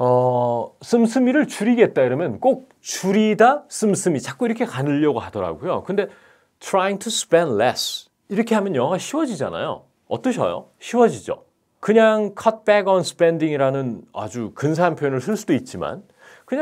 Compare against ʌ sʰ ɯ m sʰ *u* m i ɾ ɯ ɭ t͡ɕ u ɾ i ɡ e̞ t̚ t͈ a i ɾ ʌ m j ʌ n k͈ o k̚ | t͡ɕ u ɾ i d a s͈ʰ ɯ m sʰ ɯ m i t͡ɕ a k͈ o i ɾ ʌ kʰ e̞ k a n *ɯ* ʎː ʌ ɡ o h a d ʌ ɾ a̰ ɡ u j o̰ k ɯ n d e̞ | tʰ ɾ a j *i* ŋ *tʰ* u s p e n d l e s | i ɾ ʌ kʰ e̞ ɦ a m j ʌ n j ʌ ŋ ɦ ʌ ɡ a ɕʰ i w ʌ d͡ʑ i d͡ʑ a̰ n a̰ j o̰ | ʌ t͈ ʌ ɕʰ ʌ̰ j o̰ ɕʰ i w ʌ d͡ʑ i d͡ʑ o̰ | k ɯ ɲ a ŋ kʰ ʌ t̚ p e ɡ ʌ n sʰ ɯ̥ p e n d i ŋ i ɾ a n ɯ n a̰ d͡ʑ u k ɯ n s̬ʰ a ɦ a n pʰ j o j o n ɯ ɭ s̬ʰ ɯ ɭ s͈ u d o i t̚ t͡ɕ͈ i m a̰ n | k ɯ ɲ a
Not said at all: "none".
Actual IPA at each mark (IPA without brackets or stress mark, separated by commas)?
ɯ, ɯ, i, tʰ